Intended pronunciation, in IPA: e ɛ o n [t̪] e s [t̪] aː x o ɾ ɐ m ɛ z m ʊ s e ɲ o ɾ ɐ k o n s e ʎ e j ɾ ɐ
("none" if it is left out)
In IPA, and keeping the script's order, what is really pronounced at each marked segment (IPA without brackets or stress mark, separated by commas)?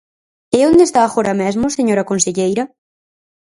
d̪, t̪